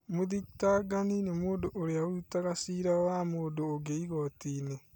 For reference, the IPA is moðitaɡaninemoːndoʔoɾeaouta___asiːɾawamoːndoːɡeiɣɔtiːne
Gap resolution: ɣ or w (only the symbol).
ɣ